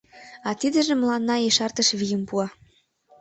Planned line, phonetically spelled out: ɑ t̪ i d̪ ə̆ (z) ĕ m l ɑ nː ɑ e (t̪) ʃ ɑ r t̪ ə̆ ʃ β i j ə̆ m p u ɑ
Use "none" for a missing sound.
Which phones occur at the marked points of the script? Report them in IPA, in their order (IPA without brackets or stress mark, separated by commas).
ʒ, none